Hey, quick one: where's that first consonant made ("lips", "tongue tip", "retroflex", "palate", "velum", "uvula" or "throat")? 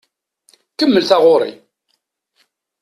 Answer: velum